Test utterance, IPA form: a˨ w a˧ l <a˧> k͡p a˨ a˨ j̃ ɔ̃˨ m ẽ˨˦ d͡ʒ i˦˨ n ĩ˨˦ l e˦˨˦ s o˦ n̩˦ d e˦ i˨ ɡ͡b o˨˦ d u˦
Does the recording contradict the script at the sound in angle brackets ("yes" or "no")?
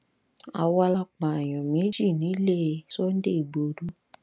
no